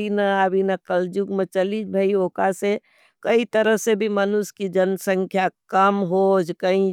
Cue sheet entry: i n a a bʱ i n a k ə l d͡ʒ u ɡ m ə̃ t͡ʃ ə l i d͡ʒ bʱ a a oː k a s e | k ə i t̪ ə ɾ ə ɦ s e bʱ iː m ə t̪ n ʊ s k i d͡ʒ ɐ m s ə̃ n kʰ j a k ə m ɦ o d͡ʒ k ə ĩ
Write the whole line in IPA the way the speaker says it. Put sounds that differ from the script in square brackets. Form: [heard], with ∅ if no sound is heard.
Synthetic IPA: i n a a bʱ i n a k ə l d͡ʒ u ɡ m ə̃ t͡ʃ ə l i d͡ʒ bʱ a [i] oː k a s e | k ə i t̪ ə ɾ ə ɦ s e bʱ [i] m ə [∅] n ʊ s k i d͡ʒ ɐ [n] s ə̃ [ŋ] kʰ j a k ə m ɦ o d͡ʒ k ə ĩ